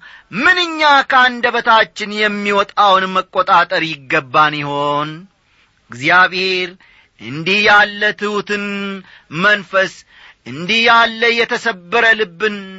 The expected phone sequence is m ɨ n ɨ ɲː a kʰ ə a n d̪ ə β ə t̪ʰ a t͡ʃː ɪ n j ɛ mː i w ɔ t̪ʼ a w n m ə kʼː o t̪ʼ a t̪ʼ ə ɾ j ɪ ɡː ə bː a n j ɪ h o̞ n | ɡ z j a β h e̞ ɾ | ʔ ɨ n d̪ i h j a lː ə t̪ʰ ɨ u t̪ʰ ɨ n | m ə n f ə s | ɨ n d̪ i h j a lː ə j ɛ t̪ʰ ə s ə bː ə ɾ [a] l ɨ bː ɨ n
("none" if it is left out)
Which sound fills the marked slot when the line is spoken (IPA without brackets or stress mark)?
ə